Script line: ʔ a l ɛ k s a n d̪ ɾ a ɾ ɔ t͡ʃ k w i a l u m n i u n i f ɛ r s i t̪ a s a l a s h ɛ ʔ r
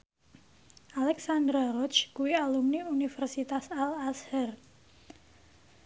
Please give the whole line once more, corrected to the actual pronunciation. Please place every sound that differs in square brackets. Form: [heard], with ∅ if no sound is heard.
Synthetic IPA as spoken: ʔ a l ɛ k s a n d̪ ɾ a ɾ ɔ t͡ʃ k [u] i a l u m n i u n i f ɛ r s i t̪ a s a l a s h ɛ [∅] r